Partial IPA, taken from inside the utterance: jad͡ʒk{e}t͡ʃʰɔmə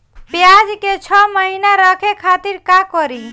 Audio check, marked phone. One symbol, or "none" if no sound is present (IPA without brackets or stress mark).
e